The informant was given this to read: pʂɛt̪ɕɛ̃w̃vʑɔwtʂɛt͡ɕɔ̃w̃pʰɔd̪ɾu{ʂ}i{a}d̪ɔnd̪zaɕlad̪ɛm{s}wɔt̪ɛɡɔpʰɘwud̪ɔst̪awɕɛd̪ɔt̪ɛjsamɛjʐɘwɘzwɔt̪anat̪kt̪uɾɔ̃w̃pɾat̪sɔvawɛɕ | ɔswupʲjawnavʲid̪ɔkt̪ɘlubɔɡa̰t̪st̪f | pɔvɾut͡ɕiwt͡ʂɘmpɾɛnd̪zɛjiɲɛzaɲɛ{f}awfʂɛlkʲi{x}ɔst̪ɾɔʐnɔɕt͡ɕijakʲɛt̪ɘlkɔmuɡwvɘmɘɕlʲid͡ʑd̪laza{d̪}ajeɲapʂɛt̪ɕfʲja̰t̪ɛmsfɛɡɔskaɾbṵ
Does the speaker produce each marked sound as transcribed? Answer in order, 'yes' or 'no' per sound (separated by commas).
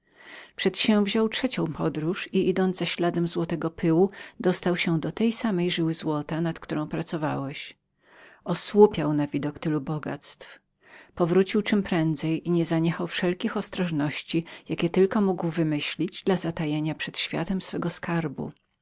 yes, no, no, no, yes, no